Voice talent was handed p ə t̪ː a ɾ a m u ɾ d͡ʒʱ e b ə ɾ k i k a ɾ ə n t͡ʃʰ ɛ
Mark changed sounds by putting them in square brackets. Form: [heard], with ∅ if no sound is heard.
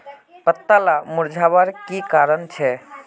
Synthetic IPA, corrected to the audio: p ə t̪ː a [l] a m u ɾ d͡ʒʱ [a] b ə ɾ k i k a ɾ ə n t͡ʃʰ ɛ